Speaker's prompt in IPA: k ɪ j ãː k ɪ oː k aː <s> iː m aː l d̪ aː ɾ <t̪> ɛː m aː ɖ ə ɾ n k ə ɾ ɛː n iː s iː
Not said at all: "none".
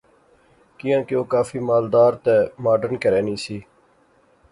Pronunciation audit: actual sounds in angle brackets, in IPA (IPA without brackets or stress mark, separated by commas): f, t̪